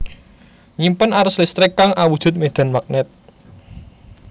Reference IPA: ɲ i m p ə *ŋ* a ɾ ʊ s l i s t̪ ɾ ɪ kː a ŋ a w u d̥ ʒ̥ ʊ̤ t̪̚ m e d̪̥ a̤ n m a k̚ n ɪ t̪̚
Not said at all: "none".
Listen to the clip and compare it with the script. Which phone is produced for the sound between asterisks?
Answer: n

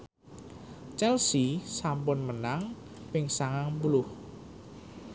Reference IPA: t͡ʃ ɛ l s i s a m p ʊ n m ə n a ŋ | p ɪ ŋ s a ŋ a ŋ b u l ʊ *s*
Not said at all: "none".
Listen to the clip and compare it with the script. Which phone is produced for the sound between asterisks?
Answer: h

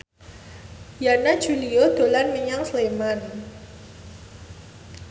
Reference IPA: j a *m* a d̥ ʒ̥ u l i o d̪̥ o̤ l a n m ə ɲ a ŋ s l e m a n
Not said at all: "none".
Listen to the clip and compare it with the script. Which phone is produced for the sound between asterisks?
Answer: n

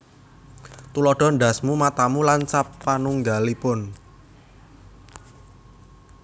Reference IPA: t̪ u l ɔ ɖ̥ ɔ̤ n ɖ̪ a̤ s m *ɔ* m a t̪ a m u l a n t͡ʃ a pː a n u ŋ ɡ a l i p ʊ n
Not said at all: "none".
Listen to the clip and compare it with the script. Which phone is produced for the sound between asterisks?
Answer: u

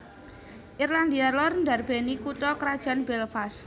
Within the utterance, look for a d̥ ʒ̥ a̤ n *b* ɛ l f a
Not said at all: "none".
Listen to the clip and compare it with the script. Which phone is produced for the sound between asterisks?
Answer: b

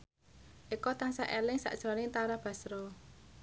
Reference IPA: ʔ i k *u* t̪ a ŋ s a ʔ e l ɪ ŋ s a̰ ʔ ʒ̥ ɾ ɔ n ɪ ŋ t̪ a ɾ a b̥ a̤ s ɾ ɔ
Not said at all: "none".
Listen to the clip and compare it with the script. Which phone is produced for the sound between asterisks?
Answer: ɔ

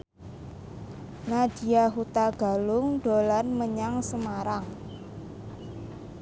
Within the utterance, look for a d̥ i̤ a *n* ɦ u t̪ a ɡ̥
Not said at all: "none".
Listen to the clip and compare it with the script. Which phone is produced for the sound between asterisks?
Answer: none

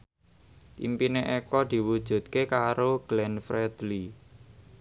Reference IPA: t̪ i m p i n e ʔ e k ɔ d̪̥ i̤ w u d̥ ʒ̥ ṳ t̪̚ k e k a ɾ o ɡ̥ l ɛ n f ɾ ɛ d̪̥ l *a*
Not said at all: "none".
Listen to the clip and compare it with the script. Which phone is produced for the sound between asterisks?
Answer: i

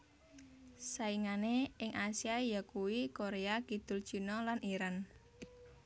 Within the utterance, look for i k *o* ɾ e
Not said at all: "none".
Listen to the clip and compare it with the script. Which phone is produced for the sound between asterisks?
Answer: o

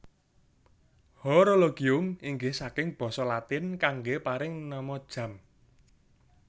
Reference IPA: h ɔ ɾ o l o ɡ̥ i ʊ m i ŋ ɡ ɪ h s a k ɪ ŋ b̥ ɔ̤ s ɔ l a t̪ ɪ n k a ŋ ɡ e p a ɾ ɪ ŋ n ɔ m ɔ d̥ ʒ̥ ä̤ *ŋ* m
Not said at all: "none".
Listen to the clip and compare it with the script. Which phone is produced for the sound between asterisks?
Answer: none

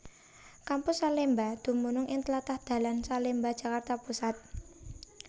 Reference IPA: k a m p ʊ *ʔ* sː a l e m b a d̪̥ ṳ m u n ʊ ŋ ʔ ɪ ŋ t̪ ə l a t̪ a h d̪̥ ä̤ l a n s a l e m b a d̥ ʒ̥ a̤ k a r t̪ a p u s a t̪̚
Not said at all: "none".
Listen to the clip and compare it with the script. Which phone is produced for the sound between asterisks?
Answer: none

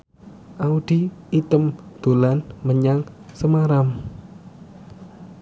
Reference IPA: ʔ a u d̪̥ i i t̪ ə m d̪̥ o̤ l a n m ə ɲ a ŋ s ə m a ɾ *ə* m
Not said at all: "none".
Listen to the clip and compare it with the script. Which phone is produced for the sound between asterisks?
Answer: a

